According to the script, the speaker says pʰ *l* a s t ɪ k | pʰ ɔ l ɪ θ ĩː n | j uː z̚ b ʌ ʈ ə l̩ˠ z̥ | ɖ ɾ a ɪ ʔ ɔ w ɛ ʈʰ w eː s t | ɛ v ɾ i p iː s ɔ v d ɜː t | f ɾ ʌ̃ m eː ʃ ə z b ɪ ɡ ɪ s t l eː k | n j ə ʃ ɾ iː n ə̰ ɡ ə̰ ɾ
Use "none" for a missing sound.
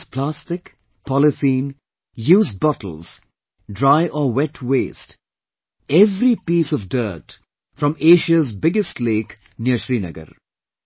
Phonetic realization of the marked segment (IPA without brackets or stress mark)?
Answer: l